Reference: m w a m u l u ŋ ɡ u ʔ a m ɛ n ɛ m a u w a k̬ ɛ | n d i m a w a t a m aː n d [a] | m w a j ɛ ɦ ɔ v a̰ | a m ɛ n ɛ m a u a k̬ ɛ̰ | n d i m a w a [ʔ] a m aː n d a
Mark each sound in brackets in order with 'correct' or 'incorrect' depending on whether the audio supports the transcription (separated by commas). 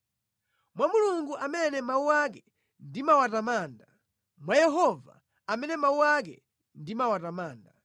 correct, incorrect